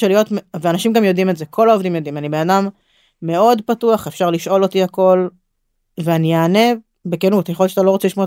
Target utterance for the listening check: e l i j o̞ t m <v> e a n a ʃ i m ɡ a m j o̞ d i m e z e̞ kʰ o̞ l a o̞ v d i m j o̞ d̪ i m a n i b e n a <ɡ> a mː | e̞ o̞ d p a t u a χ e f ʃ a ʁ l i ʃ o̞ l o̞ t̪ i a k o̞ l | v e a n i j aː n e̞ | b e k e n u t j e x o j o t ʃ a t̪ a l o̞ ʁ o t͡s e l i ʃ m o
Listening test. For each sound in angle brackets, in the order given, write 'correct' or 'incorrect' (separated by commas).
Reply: correct, incorrect